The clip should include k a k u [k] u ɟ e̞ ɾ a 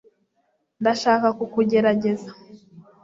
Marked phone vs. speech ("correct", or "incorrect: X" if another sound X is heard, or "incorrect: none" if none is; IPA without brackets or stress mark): correct